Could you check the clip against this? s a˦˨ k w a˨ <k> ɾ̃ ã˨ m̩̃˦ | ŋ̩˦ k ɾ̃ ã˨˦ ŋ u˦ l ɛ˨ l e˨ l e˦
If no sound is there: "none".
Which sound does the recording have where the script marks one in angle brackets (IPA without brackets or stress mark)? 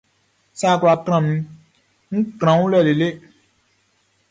k